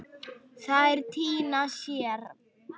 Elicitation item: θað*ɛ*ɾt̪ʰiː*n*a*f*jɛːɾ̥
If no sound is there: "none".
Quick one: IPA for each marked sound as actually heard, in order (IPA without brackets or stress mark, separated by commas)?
ɛ, n, s